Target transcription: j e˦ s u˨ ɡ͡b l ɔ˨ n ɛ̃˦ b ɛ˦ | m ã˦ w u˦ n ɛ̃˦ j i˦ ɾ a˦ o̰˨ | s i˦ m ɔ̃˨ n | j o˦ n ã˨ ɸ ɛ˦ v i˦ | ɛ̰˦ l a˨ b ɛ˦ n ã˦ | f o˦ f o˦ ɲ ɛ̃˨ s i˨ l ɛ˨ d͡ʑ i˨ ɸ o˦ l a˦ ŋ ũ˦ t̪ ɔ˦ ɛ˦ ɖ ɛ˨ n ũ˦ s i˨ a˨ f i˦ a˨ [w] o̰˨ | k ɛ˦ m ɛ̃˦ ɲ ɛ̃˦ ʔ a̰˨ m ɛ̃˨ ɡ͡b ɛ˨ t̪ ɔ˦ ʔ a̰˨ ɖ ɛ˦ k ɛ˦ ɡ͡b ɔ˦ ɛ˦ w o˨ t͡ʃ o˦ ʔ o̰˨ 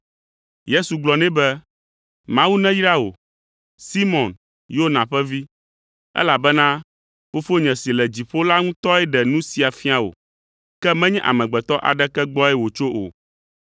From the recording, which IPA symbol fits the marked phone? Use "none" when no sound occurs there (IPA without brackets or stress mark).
w